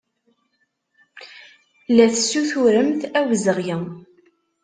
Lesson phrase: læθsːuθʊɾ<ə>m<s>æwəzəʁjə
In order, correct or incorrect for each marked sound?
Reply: correct, incorrect: θ

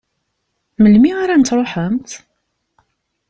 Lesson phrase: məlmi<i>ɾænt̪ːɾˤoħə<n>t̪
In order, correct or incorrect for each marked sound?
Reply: incorrect: a, incorrect: m

